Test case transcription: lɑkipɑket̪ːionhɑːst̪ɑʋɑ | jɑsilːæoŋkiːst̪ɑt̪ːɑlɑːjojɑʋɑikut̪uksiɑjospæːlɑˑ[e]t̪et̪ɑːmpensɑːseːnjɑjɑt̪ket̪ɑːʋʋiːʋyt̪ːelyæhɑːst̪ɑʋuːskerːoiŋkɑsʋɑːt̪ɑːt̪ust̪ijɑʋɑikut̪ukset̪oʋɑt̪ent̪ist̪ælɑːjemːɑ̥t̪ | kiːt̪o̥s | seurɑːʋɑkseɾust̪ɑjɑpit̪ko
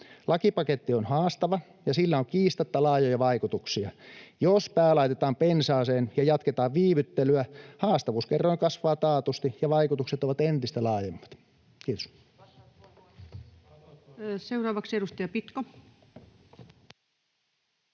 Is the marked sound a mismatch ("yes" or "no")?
yes